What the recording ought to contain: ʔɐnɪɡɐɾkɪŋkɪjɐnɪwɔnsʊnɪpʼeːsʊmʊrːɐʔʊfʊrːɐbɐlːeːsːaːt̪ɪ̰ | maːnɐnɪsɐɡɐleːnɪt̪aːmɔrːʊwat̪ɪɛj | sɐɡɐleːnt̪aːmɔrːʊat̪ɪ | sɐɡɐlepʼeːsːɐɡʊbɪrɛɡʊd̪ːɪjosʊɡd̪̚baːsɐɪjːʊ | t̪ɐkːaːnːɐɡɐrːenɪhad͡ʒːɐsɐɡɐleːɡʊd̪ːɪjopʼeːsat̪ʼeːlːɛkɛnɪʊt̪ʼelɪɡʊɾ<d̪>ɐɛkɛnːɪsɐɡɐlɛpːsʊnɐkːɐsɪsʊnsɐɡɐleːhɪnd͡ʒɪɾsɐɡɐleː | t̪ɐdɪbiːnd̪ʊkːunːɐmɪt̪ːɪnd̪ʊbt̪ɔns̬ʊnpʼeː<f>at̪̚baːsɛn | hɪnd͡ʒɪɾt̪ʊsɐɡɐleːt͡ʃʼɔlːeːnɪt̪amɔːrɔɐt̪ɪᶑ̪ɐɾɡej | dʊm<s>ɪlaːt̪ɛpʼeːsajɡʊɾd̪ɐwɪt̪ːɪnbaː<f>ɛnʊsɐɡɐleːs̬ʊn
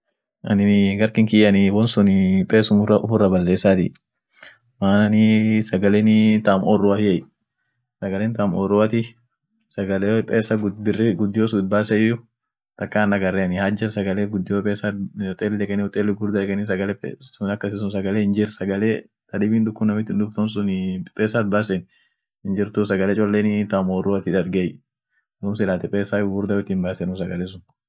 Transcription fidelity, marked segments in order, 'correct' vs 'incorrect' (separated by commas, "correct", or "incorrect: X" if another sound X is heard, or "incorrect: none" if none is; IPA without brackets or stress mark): correct, incorrect: s, correct, incorrect: s